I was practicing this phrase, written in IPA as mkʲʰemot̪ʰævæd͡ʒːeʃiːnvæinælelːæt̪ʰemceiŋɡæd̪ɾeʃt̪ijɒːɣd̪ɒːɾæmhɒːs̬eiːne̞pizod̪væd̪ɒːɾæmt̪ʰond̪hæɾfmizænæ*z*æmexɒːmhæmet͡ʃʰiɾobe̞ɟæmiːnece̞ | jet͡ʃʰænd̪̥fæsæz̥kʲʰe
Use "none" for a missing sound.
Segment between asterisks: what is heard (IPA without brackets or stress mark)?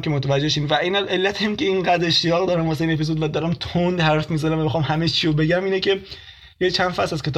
v